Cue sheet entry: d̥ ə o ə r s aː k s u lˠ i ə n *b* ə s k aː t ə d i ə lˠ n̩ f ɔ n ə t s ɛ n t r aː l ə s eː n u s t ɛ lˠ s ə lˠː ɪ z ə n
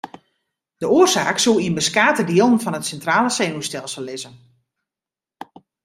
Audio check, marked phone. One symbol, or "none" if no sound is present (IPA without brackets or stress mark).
b